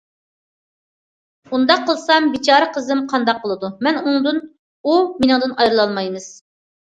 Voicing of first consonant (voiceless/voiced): voiced